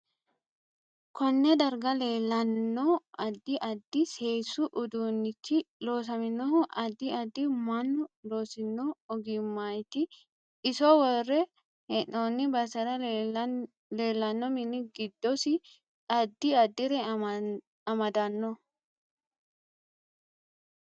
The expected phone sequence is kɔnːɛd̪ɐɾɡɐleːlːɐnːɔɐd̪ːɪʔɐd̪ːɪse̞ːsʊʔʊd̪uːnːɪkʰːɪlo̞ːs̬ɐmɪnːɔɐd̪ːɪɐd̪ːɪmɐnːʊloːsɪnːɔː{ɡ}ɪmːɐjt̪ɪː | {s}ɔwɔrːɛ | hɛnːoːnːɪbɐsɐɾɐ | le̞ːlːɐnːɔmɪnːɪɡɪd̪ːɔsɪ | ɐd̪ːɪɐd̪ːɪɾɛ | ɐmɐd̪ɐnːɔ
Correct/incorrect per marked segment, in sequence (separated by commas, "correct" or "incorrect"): correct, correct